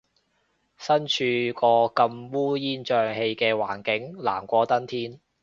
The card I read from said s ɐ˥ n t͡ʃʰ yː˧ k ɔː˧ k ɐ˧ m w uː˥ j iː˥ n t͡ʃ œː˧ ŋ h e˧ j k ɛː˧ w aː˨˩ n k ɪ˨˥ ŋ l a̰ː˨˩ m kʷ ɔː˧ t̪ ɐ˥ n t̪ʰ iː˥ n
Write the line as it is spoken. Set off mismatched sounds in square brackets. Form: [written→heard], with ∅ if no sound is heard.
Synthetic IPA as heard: s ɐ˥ n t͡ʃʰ yː˧ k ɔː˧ k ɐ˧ m w uː˥ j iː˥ n t͡ʃ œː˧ ŋ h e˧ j k ɛː˧ w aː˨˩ n k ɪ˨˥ ŋ l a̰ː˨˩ m kʷ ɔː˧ t̪ ɐ˥ n t̪ʰ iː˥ n